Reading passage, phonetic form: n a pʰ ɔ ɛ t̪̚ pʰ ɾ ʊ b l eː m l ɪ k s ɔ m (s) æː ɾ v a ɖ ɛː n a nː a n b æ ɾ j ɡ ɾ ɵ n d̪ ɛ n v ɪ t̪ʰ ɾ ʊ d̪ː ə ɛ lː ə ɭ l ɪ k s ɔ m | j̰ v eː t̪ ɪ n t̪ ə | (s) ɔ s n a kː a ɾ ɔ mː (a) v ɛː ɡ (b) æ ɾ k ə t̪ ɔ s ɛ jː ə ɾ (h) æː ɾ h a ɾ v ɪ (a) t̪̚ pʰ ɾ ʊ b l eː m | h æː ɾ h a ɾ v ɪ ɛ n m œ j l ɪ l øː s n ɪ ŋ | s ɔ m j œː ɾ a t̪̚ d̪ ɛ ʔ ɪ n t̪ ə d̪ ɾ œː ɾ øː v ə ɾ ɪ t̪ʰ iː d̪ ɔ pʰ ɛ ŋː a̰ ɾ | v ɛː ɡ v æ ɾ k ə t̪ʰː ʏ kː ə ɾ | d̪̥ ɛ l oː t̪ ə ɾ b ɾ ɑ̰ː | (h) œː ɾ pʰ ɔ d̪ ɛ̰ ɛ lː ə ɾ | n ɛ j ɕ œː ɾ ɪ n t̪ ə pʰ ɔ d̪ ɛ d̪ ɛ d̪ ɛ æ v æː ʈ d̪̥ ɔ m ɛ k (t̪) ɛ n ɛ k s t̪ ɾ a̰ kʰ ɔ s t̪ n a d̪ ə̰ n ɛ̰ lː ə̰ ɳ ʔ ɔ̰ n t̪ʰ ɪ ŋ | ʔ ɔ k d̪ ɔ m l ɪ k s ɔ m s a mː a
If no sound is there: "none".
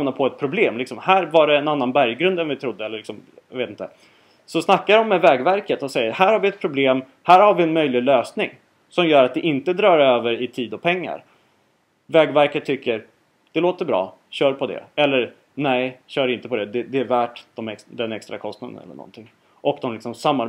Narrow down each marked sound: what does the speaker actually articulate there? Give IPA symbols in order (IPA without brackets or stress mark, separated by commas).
h, s, ɛ, v, h, ɛ, ɕ, d̪